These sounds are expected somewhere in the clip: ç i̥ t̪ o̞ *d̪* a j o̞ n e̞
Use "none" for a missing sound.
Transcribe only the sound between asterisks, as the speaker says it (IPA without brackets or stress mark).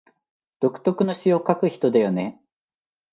d̪